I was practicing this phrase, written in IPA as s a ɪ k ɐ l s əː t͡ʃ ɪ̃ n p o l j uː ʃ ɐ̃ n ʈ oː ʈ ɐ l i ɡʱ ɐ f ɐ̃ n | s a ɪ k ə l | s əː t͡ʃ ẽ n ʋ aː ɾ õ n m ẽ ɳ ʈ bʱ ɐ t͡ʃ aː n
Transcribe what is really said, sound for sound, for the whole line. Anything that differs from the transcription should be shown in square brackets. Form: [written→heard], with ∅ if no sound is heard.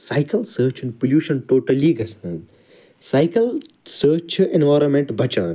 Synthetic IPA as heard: s a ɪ k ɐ l s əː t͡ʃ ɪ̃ n p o l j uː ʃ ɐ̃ n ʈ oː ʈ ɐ l i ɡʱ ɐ [f→s] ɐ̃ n | s a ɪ k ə l | s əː t͡ʃ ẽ n ʋ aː ɾ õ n m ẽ ɳ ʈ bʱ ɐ t͡ʃ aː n